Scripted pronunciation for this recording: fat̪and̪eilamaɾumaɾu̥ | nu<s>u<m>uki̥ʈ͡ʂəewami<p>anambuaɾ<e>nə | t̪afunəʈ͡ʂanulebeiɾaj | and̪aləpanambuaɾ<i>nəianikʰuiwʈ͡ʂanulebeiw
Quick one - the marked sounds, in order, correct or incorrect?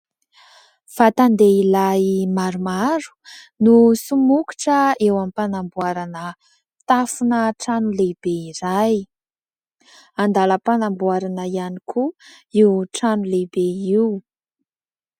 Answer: correct, correct, correct, incorrect: a, incorrect: a

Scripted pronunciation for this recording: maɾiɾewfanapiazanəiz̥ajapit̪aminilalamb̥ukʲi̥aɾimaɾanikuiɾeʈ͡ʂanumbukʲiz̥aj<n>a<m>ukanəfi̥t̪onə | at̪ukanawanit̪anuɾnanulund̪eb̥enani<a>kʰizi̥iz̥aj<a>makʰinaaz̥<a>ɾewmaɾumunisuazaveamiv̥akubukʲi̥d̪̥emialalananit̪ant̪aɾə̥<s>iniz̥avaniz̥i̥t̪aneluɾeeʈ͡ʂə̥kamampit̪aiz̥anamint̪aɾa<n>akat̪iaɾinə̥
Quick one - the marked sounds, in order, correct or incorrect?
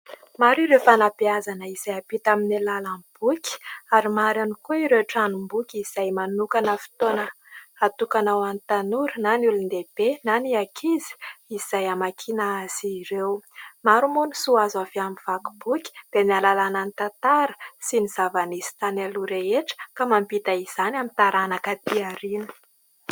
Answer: incorrect: m, incorrect: n, correct, correct, incorrect: i, correct, correct

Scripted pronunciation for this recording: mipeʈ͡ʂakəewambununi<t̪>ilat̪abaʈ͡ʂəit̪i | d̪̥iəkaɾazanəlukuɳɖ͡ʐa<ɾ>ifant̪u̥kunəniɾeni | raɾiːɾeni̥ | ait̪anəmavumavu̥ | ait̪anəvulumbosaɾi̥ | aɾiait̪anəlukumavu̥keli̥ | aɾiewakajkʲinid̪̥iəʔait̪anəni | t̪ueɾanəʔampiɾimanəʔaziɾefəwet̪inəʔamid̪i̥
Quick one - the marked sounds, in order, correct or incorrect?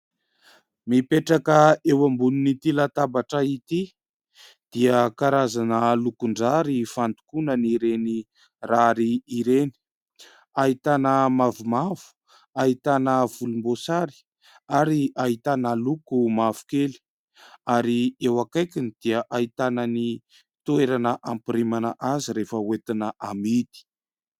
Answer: correct, correct

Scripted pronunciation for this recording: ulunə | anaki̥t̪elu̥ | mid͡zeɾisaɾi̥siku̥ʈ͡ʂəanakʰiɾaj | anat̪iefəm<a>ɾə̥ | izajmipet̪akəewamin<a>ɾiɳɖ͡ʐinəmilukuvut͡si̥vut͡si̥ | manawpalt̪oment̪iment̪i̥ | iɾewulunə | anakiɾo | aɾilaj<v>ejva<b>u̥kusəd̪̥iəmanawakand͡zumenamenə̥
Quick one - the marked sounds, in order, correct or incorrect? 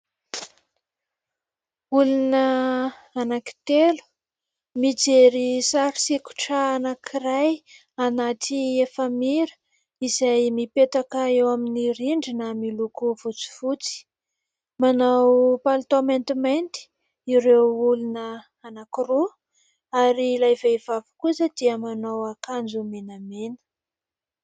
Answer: incorrect: i, incorrect: i, correct, incorrect: v

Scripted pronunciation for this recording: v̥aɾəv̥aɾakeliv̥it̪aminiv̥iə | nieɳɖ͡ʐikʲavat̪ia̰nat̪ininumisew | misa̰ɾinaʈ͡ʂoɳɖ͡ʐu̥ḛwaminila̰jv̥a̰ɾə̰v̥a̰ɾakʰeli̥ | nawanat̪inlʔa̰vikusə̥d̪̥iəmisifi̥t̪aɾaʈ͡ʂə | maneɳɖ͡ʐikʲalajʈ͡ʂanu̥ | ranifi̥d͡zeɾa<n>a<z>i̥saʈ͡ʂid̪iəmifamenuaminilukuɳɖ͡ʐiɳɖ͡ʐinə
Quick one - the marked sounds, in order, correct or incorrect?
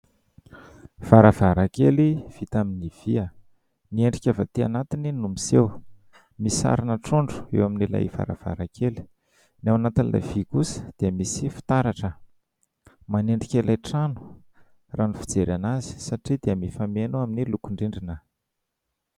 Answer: correct, correct

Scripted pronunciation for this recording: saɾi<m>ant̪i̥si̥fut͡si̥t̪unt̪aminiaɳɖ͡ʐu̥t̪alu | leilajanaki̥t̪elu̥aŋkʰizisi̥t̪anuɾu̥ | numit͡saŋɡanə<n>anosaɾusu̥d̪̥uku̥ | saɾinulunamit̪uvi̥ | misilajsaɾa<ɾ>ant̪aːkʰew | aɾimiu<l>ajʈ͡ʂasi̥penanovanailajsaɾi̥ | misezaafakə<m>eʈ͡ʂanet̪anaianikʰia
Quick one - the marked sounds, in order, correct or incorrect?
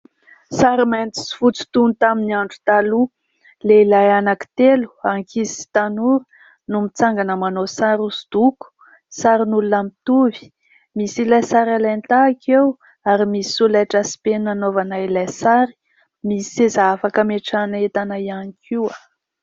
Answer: correct, incorrect: m, incorrect: l, correct, correct

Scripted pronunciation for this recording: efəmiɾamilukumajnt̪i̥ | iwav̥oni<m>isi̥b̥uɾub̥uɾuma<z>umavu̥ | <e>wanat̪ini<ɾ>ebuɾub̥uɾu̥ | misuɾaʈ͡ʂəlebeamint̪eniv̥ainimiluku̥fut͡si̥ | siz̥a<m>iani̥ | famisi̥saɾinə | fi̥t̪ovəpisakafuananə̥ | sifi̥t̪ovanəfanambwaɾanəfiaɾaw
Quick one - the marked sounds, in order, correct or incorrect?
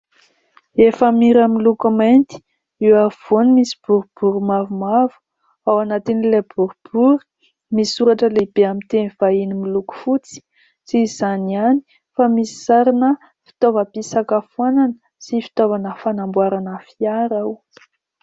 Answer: correct, incorrect: v, incorrect: a, incorrect: l, incorrect: n

